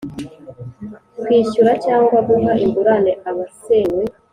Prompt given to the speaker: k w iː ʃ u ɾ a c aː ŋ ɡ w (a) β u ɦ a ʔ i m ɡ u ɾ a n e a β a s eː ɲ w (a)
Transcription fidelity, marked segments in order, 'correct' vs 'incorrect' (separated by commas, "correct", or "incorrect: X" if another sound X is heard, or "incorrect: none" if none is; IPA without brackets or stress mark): correct, incorrect: e